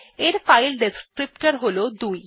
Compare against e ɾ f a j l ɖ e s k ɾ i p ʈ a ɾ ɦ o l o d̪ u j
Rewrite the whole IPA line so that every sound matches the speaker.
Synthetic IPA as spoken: e ɾ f a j l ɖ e s k ɾ i p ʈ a ɾ ɦ o l o d̪ u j

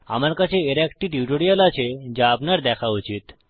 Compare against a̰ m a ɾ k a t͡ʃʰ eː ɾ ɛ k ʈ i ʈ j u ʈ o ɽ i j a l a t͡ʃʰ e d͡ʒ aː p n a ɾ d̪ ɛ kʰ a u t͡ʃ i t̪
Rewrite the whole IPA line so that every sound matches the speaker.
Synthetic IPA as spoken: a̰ m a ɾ k a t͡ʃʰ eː ɾ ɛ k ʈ i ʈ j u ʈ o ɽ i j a l a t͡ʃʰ e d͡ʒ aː p n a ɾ d̪ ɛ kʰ a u t͡ʃ i t̪

